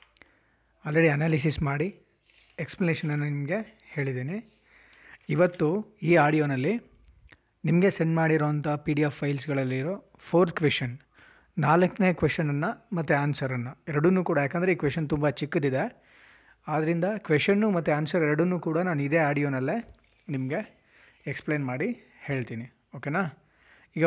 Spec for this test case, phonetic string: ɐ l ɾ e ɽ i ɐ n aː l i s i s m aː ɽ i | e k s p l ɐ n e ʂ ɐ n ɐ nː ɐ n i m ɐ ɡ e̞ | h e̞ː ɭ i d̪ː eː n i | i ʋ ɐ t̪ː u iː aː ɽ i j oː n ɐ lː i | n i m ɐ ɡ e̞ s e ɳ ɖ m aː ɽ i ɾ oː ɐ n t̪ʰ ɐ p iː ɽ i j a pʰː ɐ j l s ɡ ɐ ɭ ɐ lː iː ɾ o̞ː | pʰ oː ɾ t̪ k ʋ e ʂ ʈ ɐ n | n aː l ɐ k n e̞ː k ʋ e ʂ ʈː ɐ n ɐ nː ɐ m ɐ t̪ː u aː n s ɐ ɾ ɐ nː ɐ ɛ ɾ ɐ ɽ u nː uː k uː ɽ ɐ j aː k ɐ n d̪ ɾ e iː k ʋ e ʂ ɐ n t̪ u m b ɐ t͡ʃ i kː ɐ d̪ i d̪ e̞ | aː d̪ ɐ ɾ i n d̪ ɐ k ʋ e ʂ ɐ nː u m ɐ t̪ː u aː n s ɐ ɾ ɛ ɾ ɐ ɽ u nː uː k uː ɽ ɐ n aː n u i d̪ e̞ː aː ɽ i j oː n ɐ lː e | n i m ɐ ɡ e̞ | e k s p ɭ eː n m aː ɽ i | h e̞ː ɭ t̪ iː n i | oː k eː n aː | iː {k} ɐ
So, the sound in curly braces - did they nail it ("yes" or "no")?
no